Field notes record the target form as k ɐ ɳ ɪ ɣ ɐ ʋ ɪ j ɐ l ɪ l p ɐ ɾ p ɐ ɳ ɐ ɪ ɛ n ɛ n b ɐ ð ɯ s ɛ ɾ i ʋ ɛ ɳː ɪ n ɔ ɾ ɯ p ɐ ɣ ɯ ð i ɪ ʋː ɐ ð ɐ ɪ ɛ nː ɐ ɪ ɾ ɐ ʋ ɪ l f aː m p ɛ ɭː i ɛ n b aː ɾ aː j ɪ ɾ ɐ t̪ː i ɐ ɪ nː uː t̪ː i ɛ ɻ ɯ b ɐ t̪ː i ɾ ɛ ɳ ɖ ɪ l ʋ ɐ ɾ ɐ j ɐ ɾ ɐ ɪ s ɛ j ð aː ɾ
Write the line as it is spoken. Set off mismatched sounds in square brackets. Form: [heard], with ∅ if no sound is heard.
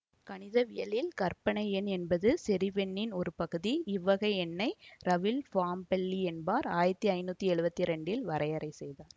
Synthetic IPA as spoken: k ɐ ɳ ɪ [ð] ɐ ʋ ɪ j ɐ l ɪ l [k] ɐ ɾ p ɐ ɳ ɐ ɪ ɛ n ɛ n b ɐ ð ɯ s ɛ ɾ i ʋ ɛ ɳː ɪ n ɔ ɾ ɯ p ɐ ɣ ɯ ð i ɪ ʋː ɐ [ɣ] ɐ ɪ ɛ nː ɐ ɪ ɾ ɐ ʋ ɪ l f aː m p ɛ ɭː i ɛ n b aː ɾ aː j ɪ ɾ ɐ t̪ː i ɐ ɪ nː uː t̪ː i ɛ ɻ ɯ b ɐ t̪ː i ɾ ɛ ɳ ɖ ɪ l ʋ ɐ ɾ ɐ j ɐ ɾ ɐ ɪ s ɛ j ð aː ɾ